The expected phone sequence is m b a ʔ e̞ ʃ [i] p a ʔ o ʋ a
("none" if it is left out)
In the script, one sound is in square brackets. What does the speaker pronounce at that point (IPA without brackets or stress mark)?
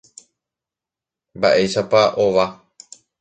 a